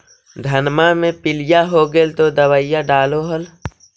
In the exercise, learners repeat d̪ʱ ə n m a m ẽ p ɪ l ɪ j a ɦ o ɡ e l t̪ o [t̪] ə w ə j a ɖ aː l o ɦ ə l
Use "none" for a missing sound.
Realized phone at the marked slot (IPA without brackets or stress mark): d̪